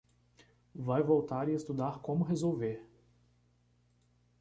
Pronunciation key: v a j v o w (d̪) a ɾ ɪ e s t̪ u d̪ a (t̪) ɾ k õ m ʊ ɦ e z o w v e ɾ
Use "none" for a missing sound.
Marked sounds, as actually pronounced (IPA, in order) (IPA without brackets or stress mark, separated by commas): t̪, none